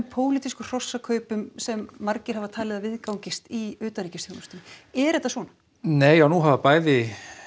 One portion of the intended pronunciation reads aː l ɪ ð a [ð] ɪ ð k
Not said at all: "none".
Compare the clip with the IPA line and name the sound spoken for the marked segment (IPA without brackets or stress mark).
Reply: v